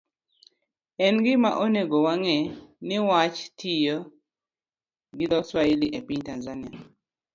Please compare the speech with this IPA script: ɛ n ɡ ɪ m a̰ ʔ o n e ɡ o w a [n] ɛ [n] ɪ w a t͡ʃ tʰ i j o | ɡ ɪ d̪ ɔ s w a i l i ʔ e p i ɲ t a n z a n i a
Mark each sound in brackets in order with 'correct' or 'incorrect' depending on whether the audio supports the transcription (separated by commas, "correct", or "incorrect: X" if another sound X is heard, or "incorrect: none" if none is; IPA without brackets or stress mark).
incorrect: ŋ, correct